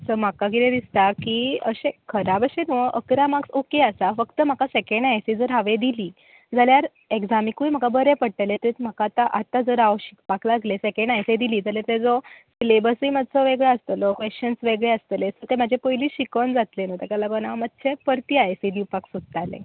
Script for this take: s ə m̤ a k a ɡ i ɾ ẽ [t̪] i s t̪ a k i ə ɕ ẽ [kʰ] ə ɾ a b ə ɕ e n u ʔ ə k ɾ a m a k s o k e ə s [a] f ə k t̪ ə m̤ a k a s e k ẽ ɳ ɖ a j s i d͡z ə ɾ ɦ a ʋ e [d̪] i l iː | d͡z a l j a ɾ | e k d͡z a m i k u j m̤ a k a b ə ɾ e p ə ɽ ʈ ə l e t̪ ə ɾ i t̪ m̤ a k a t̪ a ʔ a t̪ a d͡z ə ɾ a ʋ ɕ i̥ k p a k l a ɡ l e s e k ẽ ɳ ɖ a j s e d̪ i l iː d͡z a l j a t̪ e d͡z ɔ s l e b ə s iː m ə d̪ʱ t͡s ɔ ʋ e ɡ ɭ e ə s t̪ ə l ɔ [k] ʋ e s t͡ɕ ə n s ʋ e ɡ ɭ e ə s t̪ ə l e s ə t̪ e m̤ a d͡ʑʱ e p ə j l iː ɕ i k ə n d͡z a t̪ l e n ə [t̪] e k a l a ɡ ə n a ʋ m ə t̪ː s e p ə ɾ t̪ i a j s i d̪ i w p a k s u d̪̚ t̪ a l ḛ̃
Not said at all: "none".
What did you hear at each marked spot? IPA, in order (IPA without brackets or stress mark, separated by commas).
d̪, kʰ, a, d̪, k, t̪